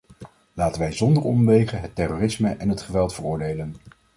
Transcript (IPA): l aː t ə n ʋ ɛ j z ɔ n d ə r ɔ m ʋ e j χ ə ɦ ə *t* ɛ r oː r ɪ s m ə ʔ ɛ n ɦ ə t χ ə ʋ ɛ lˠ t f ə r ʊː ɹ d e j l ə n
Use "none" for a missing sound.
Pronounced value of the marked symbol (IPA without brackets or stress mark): t